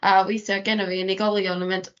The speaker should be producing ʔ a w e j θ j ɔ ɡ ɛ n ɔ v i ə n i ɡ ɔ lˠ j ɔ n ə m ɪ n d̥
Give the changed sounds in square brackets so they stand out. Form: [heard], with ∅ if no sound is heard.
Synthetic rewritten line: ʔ a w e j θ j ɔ ɡ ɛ n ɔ v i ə n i ɡ ɔ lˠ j ɔ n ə m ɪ n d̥